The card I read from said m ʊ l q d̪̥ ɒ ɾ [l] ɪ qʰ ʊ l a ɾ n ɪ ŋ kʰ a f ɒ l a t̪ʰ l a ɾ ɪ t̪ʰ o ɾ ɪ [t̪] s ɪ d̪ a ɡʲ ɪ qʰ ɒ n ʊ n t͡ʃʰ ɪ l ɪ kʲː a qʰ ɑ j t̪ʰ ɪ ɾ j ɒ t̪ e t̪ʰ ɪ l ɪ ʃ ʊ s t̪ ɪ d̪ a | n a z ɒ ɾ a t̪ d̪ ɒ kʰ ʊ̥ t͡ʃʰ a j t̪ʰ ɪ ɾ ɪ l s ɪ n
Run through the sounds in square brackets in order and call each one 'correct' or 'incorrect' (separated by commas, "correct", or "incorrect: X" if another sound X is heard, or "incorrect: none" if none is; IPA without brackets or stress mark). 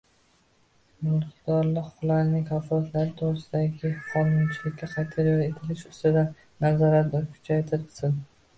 correct, incorrect: none